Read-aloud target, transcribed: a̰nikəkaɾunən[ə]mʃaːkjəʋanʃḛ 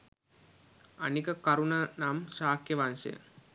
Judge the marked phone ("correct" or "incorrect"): incorrect